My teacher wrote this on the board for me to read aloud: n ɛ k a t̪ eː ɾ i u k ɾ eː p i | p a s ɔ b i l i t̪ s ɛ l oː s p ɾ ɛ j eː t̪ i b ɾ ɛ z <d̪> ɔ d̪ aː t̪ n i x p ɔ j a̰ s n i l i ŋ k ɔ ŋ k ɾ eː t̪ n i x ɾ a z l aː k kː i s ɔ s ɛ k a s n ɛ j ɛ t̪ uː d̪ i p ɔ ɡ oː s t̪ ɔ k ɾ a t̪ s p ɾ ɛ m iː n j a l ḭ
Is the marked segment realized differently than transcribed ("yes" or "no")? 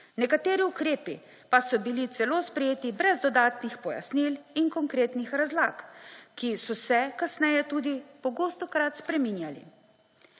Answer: no